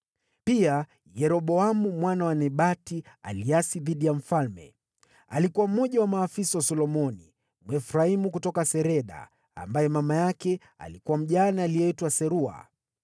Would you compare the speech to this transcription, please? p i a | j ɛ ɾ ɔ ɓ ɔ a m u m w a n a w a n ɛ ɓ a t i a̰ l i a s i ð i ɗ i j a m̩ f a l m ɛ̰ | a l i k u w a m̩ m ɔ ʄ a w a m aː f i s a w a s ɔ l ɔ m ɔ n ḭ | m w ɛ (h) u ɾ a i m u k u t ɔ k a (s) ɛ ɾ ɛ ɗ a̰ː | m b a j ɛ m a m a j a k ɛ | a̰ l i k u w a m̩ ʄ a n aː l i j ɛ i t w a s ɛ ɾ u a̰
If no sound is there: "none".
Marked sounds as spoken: f, s

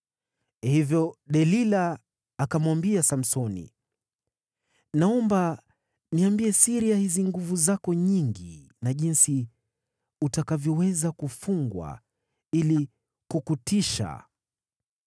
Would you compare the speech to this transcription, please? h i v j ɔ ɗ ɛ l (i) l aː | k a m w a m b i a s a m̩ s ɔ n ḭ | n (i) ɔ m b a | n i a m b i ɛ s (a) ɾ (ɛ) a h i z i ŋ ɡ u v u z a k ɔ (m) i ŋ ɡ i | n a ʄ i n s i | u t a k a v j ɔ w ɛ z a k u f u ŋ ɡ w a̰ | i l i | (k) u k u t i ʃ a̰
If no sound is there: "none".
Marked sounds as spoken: i, a, i, i, ɲ, k

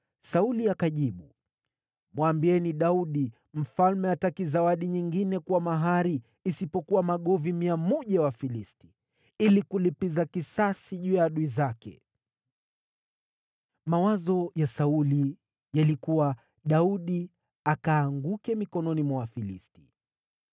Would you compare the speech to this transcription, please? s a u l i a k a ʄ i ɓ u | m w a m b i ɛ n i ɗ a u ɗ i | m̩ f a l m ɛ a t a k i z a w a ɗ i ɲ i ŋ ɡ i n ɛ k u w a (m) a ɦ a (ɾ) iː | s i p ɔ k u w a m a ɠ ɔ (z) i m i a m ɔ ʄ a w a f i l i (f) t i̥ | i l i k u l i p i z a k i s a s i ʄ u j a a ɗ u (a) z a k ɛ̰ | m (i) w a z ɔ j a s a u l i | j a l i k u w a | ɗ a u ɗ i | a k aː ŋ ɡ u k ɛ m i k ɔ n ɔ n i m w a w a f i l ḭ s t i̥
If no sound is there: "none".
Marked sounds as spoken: m, ɾ, v, s, i, a

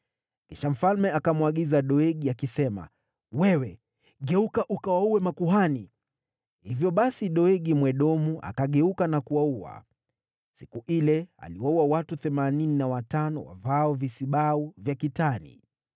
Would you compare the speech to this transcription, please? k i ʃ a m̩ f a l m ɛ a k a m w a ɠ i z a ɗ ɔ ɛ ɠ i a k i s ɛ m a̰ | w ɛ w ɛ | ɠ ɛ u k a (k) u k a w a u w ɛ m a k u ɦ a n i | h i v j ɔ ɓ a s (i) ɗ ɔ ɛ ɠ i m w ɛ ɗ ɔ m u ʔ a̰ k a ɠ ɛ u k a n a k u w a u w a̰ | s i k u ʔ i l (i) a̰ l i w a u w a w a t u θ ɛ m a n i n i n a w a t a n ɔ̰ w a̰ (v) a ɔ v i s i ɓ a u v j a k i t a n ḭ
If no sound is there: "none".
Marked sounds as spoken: ʔ, i, ɛ, v

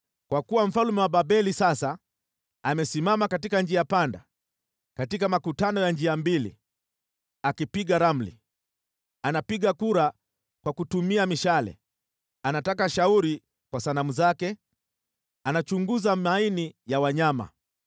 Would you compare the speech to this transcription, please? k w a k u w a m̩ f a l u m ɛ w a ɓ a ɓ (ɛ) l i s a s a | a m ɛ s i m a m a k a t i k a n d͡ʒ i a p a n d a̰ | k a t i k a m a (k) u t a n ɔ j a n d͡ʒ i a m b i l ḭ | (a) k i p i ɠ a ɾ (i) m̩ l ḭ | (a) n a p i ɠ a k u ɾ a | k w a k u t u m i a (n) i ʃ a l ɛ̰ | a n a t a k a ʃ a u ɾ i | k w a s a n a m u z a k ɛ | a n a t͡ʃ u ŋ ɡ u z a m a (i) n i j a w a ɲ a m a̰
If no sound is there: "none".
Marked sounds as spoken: ɛ, k, a, a, a, m, i

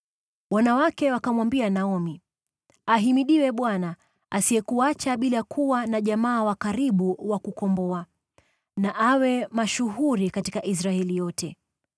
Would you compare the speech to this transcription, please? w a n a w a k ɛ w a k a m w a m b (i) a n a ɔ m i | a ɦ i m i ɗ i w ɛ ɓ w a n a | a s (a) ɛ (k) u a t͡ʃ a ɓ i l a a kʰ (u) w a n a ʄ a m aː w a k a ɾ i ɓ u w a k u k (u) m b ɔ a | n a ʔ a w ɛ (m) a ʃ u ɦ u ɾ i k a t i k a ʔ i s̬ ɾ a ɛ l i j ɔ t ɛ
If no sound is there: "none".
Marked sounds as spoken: i, i, k, u, ɔ, m

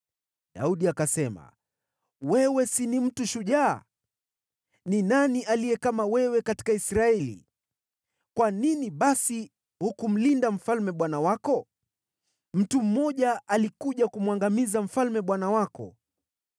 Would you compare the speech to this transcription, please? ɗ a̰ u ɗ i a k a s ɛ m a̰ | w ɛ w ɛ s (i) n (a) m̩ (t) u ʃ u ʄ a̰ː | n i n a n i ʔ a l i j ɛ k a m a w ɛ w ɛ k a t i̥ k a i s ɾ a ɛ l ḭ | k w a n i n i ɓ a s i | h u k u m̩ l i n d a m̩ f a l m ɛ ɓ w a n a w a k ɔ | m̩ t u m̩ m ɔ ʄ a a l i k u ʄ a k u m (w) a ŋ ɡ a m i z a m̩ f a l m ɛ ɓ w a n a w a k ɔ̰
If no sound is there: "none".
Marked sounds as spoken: i, i, t, w

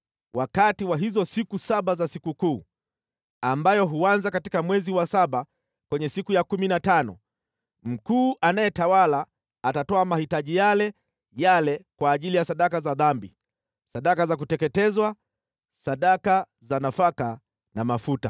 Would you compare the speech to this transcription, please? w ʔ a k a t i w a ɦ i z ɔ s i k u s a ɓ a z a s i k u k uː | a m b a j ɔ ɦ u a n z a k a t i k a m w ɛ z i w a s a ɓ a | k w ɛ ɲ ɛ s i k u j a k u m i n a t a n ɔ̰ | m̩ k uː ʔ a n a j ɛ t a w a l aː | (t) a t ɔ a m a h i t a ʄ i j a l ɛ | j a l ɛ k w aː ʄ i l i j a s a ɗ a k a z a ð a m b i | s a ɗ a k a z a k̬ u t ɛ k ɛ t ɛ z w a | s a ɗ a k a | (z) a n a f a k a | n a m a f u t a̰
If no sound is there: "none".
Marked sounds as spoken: t, z

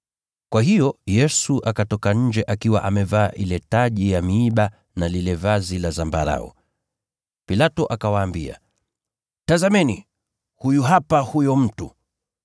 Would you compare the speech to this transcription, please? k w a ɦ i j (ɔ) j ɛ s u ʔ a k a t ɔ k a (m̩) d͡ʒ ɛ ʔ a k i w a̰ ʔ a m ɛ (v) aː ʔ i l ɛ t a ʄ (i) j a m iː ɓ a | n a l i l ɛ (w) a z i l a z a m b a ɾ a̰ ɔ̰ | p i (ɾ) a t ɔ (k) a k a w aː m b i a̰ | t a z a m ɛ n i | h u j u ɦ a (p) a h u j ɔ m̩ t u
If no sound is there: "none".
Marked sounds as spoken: ɔ, ɲ̩, v, i, v, l, ʔ, p

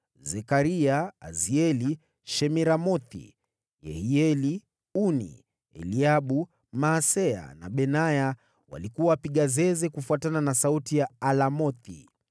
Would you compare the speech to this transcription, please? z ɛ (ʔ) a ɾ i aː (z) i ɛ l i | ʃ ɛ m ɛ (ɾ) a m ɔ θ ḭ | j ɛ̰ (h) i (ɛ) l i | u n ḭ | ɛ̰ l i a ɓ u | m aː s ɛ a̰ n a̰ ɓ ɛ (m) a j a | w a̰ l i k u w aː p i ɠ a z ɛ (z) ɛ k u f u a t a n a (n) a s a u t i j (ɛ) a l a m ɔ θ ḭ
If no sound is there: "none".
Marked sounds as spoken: k, z, ɾ, h, ɛ, n, z, n, a

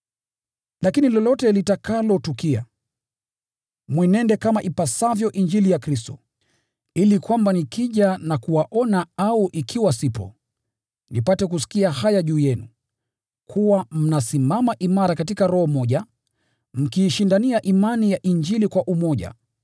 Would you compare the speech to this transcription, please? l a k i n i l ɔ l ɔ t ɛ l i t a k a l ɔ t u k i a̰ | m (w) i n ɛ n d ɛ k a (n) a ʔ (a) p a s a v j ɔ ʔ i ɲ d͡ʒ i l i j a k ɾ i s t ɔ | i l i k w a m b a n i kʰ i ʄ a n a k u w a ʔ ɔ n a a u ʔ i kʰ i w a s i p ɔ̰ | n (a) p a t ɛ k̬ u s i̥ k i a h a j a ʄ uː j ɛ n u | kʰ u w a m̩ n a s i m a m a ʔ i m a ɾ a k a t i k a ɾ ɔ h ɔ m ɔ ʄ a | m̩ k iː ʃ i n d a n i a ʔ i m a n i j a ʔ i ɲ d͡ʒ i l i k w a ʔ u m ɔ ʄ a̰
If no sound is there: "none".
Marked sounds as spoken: w, m, i, i

